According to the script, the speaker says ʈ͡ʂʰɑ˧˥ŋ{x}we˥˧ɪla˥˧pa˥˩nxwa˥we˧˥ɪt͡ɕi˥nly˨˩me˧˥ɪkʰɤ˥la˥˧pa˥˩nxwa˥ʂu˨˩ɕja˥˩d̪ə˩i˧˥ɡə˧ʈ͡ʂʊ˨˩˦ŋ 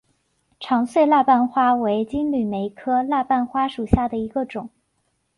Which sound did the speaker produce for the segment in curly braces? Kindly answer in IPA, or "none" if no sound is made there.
s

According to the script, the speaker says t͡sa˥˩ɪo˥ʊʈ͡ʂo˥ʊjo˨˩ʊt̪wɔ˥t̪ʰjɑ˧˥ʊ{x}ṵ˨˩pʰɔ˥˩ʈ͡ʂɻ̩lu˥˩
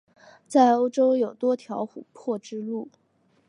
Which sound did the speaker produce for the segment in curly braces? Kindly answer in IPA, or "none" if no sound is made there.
x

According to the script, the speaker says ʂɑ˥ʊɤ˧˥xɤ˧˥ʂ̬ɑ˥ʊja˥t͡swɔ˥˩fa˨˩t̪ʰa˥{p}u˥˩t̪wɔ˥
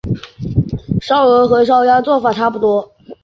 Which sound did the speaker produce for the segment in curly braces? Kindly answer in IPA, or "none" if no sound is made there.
p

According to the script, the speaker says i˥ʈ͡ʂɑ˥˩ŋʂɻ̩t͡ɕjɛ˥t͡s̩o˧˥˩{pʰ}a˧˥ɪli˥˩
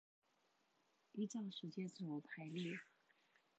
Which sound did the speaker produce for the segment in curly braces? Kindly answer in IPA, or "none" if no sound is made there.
pʰ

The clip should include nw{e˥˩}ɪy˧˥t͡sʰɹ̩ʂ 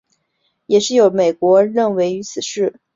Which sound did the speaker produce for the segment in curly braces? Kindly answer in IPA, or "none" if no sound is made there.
e˧˥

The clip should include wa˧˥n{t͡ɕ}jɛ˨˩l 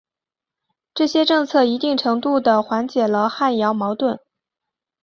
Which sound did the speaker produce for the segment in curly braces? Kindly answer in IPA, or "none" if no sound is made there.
t͡ɕ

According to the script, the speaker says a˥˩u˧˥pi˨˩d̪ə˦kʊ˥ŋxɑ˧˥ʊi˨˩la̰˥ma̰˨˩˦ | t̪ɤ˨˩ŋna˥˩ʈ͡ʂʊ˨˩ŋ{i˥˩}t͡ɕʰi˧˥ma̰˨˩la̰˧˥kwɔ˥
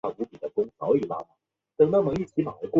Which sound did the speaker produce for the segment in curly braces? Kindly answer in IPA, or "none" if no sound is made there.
i˥˩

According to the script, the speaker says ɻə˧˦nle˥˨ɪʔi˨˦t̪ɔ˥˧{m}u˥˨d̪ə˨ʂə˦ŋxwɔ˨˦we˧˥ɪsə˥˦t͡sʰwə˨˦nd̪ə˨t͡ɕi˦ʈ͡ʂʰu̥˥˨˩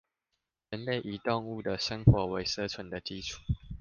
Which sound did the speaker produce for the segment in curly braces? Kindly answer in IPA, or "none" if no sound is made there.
ŋ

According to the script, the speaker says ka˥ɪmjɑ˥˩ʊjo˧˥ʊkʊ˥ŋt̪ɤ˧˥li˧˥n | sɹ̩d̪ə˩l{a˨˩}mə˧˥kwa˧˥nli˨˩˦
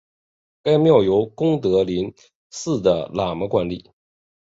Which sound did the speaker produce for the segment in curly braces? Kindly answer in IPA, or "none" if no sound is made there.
a˨˩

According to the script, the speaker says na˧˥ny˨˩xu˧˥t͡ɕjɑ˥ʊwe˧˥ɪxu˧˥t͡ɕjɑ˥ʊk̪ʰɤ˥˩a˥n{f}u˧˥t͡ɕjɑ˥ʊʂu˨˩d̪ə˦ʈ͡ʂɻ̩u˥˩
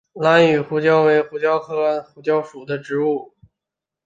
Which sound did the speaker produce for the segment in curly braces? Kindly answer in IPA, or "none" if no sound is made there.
x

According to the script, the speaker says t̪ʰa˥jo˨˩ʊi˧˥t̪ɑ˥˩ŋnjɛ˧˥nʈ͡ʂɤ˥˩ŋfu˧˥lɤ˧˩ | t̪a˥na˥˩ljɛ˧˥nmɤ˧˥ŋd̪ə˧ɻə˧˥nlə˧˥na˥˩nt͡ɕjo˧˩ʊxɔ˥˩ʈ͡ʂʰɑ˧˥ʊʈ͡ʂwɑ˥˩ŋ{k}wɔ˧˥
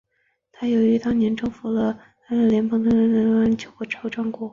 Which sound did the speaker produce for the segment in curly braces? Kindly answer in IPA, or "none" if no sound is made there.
k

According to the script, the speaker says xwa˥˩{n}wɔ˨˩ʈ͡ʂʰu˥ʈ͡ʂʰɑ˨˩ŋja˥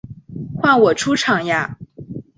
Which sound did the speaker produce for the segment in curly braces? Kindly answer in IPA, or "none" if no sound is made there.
n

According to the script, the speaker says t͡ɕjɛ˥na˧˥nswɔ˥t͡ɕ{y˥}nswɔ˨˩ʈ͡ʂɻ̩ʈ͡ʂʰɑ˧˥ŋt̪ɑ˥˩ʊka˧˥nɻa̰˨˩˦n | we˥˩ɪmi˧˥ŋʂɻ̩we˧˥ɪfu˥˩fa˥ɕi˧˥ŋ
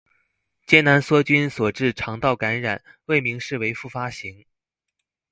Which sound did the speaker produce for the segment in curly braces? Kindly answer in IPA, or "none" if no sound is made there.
y˥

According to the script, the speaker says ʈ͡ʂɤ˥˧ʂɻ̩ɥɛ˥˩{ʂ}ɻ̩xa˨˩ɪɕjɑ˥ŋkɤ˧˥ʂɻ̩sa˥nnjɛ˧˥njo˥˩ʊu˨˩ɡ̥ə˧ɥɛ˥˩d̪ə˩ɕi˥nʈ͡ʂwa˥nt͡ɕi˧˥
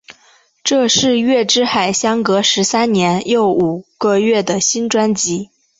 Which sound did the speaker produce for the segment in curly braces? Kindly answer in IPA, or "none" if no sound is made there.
ʈ͡ʂ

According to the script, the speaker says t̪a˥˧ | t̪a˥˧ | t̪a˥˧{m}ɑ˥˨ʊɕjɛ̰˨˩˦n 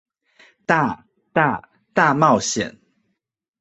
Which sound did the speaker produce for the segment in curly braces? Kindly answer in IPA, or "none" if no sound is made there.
m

